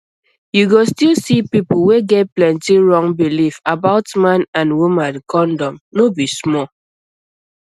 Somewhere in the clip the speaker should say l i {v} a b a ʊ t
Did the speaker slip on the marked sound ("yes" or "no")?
yes